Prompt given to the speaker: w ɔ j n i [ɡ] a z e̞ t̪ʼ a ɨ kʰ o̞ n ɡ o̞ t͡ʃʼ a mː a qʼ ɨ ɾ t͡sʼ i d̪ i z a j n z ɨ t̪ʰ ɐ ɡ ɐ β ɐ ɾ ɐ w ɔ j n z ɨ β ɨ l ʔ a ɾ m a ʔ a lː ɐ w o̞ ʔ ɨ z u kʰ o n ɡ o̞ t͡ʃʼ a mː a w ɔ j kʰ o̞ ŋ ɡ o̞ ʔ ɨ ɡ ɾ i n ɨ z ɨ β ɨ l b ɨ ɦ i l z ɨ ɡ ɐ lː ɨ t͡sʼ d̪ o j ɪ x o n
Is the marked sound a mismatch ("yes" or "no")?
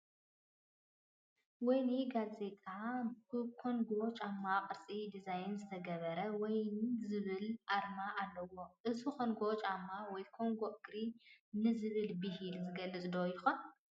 no